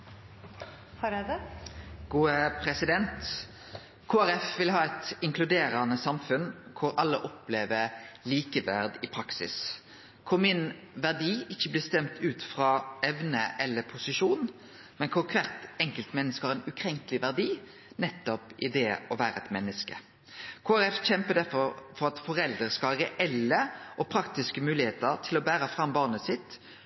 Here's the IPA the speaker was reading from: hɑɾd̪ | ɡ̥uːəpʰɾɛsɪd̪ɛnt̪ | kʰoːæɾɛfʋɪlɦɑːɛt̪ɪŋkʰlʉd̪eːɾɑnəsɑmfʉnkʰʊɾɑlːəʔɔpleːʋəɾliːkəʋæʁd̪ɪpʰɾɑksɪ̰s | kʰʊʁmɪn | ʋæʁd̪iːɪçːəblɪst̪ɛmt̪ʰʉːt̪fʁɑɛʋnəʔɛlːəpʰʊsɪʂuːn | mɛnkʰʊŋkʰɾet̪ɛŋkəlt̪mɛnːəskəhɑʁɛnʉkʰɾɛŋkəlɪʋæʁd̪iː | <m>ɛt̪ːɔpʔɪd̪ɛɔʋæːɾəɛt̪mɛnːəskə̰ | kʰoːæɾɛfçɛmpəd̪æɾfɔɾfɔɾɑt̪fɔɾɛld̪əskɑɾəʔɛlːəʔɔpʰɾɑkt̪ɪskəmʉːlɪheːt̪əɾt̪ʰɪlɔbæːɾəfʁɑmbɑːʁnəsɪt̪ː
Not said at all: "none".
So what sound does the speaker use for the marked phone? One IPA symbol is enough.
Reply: n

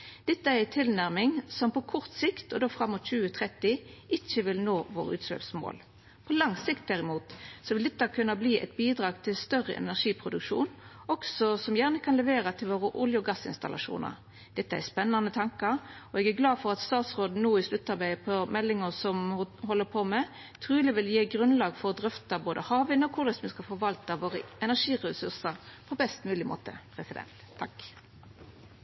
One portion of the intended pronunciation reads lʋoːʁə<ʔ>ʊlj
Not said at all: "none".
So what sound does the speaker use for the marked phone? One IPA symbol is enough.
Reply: ʔ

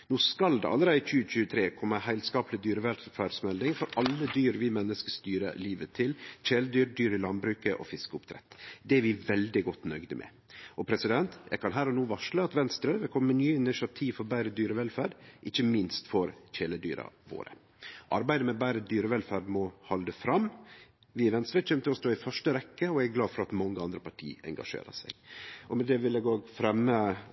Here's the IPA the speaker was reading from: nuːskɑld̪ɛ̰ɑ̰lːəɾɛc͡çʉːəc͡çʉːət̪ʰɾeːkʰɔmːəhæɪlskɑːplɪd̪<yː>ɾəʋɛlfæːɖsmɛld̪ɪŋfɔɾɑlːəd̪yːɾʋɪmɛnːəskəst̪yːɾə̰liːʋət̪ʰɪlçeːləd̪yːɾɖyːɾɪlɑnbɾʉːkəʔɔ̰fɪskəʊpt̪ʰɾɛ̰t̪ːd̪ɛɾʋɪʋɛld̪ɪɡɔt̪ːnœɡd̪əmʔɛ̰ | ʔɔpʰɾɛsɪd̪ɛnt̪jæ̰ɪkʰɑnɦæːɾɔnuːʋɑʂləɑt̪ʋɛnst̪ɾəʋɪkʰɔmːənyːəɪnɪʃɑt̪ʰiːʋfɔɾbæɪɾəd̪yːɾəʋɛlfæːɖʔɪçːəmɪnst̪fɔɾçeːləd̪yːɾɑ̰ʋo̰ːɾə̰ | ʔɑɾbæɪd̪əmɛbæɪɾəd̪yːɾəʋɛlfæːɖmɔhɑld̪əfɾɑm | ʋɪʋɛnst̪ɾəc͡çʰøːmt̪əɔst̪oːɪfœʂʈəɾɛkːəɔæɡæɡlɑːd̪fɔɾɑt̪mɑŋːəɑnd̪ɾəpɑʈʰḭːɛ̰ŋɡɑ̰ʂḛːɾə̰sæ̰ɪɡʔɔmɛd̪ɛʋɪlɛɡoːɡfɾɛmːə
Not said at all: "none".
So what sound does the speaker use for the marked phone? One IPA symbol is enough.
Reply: yː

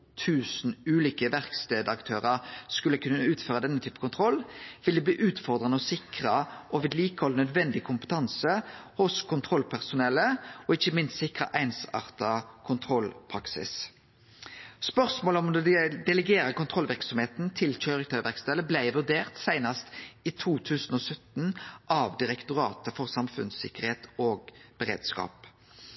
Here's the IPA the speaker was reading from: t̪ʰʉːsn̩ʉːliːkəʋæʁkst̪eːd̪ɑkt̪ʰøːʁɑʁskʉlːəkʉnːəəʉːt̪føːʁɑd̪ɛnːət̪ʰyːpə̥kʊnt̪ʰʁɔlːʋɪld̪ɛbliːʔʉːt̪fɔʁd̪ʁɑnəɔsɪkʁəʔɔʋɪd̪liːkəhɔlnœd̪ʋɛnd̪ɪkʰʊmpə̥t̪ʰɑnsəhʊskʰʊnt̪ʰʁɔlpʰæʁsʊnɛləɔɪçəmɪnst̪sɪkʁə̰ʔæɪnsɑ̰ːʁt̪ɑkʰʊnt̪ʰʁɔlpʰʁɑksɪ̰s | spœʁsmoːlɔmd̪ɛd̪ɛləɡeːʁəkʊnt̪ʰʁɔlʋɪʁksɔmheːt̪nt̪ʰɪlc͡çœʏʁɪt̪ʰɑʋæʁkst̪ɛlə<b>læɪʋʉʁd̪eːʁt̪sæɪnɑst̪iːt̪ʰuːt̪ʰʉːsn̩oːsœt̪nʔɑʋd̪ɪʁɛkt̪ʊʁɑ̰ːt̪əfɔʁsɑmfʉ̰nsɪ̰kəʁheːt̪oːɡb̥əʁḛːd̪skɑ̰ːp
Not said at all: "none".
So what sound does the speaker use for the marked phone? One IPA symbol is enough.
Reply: b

